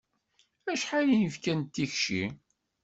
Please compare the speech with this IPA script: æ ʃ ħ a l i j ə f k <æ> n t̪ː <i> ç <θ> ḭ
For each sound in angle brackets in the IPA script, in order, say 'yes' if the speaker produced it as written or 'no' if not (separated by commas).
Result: yes, yes, no